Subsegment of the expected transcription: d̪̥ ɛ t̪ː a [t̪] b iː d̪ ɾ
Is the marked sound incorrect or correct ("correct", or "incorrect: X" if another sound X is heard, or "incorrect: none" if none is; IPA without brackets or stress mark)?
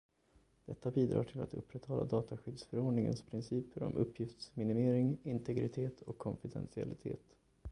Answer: incorrect: none